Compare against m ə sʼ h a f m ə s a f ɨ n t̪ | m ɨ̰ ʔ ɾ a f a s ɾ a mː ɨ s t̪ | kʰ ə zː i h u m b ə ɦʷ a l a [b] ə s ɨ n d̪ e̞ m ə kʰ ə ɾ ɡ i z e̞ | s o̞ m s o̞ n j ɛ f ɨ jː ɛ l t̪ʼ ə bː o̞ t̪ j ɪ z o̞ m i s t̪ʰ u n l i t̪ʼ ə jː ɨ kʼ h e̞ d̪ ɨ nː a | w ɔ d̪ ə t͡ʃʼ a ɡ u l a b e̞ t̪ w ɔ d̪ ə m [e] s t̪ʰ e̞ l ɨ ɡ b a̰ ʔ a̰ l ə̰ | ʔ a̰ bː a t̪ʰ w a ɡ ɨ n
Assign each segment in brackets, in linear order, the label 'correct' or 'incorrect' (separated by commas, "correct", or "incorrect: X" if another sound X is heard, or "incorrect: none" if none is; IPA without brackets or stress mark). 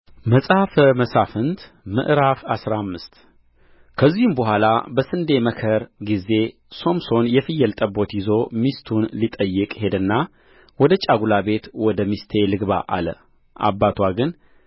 correct, incorrect: i